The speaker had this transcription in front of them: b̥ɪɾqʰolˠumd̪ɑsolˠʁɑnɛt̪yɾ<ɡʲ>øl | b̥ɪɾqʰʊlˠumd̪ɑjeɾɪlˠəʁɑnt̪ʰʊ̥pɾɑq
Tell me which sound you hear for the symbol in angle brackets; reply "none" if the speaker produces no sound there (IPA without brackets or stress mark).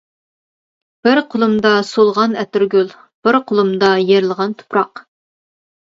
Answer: ɡʲ